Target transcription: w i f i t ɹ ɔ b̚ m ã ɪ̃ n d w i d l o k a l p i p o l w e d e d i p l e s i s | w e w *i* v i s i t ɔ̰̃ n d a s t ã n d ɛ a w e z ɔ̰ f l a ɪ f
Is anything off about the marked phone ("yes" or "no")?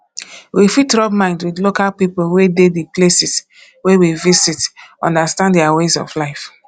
no